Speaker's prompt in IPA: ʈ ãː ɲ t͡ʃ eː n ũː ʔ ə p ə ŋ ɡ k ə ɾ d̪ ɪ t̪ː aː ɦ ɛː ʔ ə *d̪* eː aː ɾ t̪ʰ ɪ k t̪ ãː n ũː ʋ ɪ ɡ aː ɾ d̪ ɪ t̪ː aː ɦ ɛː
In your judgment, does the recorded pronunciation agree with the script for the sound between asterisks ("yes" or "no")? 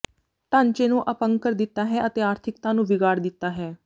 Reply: no